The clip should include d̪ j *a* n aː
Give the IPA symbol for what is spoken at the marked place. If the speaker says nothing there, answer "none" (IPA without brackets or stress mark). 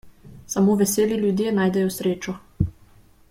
e